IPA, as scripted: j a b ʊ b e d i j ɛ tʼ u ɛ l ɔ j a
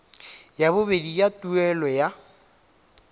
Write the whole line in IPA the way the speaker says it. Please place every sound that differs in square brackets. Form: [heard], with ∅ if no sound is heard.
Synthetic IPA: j a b ʊ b e d i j [a] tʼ u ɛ l ɔ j a